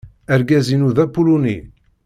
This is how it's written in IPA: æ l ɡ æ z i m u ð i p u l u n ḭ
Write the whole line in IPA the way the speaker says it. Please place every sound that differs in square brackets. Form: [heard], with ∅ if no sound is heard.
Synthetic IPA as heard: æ [ɾ] ɡ æ z i [n] u ð [æ] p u l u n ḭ